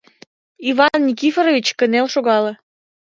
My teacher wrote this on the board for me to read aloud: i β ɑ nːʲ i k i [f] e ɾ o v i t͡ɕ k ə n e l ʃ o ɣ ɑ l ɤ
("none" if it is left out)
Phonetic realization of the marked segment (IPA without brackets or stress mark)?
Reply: f